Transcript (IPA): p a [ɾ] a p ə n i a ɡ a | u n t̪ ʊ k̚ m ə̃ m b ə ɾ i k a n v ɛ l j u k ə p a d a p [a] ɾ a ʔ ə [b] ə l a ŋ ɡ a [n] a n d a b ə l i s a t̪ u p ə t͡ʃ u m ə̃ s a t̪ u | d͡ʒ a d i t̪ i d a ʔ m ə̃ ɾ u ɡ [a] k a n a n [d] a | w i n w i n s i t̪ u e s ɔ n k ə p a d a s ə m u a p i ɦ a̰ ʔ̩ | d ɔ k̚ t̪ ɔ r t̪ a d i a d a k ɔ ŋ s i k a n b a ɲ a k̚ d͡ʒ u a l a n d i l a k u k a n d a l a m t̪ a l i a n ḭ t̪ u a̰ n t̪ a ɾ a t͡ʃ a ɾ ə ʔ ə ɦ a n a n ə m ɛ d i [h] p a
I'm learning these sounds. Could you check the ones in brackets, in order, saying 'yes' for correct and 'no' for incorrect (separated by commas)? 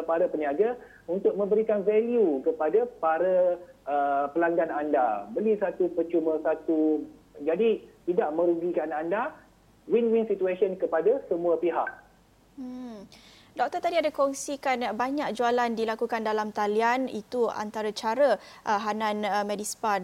yes, yes, no, yes, no, yes, no